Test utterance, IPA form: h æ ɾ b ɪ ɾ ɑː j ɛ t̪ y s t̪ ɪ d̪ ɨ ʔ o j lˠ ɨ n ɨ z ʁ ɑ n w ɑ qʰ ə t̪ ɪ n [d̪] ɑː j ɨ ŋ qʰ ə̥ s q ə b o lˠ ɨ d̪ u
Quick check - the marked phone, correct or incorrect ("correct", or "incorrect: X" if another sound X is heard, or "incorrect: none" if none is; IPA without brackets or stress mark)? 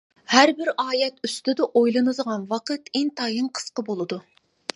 incorrect: t̪